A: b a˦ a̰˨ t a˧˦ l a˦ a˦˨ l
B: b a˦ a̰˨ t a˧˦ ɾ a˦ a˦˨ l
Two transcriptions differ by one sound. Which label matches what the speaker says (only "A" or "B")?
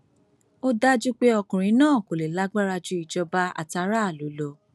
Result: B